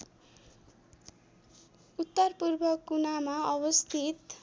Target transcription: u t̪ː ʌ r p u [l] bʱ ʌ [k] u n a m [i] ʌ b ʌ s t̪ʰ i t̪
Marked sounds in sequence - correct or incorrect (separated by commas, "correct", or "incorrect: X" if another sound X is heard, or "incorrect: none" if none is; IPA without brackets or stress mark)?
incorrect: r, correct, incorrect: a